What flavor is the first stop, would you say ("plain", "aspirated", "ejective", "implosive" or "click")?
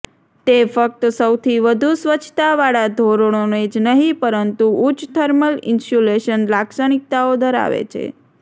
plain